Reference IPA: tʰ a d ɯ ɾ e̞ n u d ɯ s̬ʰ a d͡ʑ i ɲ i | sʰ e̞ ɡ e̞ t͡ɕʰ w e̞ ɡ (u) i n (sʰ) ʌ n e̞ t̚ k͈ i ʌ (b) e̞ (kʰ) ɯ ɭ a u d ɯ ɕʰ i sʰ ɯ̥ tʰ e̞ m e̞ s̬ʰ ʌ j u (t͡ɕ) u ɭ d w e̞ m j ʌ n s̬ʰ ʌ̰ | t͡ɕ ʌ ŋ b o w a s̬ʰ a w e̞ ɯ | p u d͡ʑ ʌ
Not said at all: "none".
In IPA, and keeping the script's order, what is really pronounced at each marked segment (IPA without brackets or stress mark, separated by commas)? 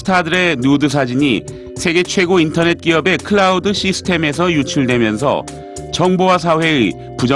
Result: o, tʰ, b, kʰ, t͡ɕʰ